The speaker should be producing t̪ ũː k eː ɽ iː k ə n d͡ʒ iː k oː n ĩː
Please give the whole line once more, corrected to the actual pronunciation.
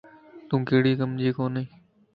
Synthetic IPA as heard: t̪ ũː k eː ɽ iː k ə m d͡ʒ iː k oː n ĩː